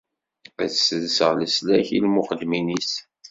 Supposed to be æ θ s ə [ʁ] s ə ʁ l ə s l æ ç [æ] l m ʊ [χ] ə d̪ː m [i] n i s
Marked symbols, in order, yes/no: no, no, yes, yes

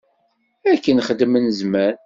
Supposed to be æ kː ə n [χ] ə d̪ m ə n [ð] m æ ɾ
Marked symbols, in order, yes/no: yes, no

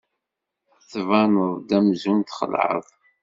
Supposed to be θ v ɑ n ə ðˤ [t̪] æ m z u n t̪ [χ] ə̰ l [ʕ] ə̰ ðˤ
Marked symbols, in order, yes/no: no, yes, yes

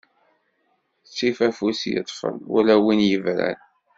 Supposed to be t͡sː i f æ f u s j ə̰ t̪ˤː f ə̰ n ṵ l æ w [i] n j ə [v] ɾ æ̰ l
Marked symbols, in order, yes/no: yes, yes

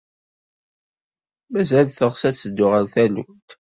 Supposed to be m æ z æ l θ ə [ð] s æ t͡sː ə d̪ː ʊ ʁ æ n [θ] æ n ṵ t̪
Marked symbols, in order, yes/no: no, yes

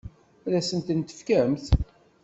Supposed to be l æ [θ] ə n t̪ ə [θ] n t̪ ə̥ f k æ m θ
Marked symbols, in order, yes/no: no, no

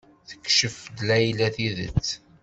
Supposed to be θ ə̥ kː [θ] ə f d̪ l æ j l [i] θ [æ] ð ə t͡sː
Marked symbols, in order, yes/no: no, no, no

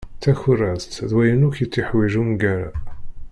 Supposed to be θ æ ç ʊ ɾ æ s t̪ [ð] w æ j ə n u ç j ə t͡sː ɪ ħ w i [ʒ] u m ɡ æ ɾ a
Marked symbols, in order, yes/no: yes, yes

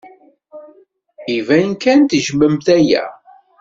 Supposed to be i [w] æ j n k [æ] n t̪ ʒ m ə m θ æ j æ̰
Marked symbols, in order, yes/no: no, yes

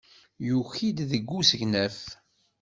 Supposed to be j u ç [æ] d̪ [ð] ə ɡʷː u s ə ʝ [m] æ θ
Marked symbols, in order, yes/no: no, yes, no

